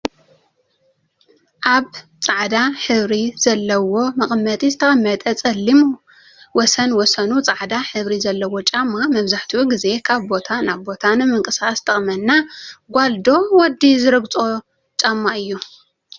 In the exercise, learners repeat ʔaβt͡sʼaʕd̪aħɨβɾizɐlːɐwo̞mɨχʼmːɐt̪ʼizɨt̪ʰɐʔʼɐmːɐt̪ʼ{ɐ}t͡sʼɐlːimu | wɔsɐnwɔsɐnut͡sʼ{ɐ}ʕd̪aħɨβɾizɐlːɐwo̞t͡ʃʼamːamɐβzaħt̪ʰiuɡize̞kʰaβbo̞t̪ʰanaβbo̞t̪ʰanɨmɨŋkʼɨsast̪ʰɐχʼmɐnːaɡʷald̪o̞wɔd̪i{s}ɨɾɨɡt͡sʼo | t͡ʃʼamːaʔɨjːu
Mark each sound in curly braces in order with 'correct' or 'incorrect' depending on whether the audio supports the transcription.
correct, incorrect: a, incorrect: z

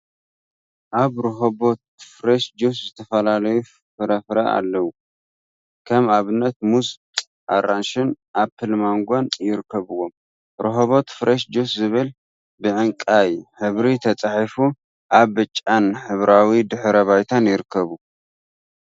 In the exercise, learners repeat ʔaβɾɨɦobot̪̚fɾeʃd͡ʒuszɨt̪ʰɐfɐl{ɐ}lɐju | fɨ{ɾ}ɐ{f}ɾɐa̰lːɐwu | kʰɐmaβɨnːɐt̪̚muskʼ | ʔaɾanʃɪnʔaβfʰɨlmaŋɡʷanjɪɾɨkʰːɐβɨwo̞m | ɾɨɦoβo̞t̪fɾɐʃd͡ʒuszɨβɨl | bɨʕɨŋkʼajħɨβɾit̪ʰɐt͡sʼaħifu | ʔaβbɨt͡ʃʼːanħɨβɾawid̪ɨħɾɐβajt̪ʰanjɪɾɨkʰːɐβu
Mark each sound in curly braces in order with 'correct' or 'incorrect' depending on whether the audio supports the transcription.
incorrect: a, correct, correct

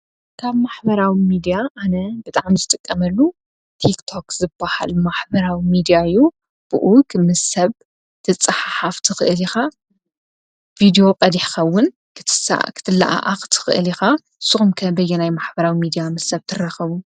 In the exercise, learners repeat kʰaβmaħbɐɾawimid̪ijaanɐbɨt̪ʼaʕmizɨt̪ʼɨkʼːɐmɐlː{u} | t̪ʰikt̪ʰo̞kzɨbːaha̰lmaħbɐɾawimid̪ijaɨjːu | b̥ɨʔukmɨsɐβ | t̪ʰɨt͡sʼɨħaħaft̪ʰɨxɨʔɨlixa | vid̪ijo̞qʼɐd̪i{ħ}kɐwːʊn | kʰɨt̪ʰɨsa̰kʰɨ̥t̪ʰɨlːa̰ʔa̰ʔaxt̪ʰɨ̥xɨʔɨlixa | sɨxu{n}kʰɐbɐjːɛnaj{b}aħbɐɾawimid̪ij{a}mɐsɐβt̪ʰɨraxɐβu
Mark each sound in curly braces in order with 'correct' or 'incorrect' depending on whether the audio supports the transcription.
correct, correct, incorrect: m, incorrect: m, correct

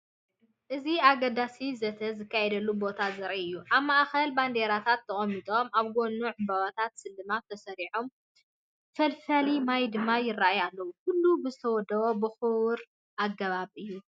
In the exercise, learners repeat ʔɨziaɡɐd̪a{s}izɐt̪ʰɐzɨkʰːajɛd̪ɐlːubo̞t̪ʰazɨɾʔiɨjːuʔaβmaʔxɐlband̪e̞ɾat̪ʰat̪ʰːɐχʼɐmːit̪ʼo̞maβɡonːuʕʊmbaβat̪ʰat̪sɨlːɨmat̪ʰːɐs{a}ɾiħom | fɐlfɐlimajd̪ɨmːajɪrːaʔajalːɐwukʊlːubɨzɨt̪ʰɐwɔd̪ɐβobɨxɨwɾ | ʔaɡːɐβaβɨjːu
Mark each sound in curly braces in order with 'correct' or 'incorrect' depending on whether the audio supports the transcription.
correct, incorrect: ɐ

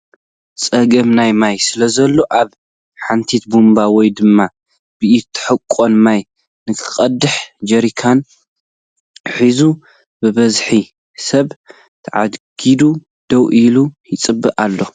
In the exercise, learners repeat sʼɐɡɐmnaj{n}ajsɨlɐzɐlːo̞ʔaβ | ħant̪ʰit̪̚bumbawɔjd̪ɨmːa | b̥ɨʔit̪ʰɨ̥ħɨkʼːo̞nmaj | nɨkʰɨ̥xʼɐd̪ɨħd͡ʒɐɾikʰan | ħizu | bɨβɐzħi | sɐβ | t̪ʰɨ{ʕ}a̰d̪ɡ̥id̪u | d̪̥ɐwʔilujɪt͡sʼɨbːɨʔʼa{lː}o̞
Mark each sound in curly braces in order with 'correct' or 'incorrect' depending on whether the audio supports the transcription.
incorrect: m, correct, correct

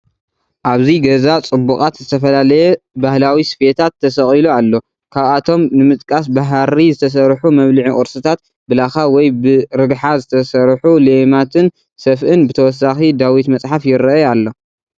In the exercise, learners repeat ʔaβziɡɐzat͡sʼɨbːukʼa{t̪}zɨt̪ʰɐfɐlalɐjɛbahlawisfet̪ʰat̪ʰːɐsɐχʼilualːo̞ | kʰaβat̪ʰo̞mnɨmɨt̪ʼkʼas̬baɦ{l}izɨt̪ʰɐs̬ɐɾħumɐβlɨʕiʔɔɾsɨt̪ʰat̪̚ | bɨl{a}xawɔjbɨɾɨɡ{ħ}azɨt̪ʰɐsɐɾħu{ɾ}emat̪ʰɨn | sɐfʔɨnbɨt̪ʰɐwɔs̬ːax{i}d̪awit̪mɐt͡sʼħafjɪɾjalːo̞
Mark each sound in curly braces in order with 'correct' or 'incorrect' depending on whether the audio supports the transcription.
correct, incorrect: ɾ, correct, correct, incorrect: l, correct

